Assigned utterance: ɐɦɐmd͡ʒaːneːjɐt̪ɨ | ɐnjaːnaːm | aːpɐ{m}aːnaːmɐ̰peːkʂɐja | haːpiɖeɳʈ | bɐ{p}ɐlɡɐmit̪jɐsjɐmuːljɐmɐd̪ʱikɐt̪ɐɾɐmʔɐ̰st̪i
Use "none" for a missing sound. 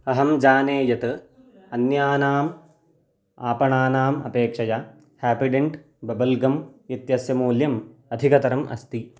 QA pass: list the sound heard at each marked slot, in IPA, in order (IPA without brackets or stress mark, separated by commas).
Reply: ɳ, b